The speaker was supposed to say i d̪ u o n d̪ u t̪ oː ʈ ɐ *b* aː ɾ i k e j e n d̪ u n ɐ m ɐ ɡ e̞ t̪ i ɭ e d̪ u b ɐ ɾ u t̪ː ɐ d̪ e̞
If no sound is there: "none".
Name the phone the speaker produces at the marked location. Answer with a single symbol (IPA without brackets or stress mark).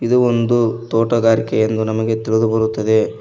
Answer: ɡ